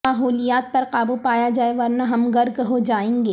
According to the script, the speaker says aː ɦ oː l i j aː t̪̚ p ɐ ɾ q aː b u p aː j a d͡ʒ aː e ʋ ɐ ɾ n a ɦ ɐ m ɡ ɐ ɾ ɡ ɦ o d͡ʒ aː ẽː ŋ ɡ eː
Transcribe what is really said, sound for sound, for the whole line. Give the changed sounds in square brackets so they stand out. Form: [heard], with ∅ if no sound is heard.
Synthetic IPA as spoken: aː ɦ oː l i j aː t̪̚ p ɐ ɾ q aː b u p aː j a d͡ʒ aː e ʋ ɐ ɾ n a ɦ ɐ m ɡ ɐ ɾ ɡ ɦ o d͡ʒ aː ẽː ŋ ɡ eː